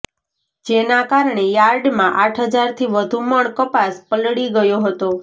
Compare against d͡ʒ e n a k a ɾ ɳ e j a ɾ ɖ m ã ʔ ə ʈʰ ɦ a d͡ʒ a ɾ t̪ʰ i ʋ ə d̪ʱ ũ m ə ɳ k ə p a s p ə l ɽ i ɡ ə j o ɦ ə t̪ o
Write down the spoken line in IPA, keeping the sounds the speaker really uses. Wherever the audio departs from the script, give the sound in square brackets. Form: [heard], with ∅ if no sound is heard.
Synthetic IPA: d͡ʒ e n a k a ɾ ɳ e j a ɾ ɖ m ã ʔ [a] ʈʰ ɦ [ə] d͡ʒ a ɾ t̪ʰ i ʋ ə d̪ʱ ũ m ə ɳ k ə p a s p ə l ɽ i ɡ ə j o ɦ ə t̪ o